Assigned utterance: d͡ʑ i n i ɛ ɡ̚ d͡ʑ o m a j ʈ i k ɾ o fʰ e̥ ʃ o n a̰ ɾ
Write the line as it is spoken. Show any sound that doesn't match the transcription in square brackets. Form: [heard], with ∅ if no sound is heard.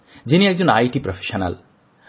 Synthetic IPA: d͡ʑ i n i ɛ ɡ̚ d͡ʑ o [n] a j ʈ i [p] ɾ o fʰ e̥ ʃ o n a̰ [l]